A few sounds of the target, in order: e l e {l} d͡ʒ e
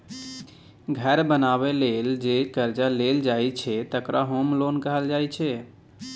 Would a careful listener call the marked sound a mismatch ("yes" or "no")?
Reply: no